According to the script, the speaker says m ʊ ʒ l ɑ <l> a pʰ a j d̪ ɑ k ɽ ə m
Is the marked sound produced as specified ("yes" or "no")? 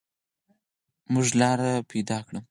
no